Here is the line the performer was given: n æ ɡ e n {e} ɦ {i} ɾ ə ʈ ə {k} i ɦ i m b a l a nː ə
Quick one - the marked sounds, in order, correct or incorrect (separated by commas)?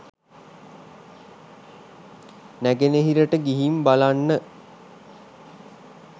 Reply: correct, correct, incorrect